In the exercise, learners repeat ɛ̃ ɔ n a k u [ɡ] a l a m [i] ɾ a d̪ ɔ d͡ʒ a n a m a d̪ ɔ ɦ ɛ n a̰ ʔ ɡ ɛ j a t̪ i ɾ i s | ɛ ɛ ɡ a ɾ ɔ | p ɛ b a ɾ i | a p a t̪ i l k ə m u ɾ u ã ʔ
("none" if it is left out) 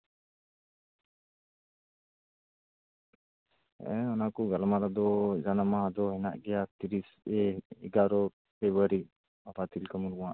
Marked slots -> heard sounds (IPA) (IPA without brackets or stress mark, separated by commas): ɡ, a